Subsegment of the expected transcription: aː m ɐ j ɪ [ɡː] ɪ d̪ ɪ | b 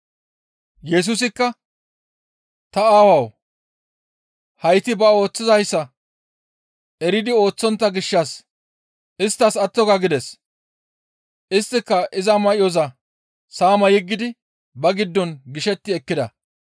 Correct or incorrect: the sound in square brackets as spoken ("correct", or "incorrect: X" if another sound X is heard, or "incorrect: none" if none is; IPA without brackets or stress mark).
correct